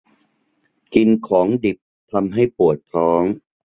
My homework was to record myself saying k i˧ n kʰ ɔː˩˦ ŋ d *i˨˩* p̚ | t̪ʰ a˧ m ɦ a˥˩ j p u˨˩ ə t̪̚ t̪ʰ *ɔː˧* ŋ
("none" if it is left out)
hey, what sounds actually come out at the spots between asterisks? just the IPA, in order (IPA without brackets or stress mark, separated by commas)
i˨˩, ɔː˦˥